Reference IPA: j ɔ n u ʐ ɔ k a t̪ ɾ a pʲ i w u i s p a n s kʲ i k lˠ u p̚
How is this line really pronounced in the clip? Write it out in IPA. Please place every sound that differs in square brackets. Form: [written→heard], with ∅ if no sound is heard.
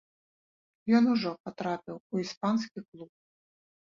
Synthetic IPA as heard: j ɔ n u ʐ ɔ [k→p] a t̪ ɾ a pʲ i w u i s p a n s kʲ i k lˠ u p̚